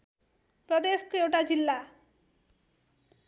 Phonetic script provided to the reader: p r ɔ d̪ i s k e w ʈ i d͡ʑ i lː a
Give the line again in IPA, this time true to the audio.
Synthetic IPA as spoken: p ɾ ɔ d̪ e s k e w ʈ a d͡ʑ i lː a